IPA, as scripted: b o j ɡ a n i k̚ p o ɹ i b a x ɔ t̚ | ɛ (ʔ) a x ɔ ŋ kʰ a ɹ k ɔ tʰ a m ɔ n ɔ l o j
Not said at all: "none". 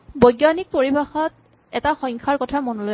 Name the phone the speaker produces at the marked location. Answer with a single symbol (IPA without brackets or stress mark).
t